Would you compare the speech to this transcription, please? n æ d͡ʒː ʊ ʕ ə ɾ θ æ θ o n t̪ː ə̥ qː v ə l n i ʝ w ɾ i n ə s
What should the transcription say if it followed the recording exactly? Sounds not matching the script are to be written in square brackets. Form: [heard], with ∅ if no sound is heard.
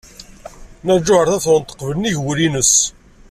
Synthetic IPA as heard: n æ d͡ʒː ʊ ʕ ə ɾ θ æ θ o n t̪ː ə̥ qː v ə l n i ʝ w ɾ i n ə s